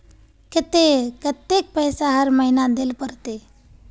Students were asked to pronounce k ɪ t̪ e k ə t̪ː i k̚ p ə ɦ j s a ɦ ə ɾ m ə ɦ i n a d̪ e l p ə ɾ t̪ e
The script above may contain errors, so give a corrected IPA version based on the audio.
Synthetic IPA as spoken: k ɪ t̪ e k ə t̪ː e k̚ p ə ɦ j s a ɦ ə ɾ m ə ɦ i n a d̪ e l p ə ɾ t̪ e